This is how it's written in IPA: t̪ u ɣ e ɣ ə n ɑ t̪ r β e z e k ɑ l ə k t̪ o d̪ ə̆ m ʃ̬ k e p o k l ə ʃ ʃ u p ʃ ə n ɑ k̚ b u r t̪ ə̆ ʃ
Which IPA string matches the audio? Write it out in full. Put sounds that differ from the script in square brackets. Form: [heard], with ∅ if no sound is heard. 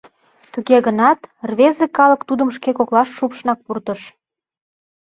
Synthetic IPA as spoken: t̪ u ɣ e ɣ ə n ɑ t̪ r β e z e k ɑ l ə k t̪ [u] d̪ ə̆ m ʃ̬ k e [k] o k l [ɑ] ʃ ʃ u p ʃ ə n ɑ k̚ [p] u r t̪ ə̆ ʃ